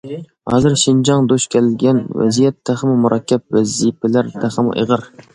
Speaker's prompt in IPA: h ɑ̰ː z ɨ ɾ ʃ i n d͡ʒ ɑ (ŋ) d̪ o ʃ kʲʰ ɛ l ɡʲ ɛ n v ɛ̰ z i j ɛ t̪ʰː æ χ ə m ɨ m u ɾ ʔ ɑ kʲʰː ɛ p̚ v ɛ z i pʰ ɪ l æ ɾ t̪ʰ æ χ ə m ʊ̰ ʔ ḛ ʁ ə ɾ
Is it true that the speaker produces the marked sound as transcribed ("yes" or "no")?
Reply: yes